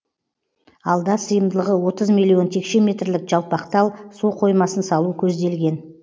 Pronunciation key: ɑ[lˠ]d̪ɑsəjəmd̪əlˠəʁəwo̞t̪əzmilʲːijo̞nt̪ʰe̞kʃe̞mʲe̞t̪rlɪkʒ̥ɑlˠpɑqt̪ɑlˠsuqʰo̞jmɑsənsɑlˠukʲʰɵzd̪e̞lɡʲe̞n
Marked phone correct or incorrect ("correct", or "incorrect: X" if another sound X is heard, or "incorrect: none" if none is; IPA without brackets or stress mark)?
correct